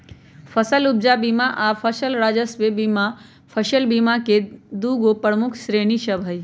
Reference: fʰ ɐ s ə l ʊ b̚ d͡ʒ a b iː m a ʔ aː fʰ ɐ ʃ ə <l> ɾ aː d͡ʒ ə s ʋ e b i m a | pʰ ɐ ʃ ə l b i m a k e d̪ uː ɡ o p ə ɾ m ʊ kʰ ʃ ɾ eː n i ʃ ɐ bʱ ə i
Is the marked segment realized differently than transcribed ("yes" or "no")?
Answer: no